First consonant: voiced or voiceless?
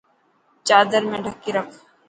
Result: voiceless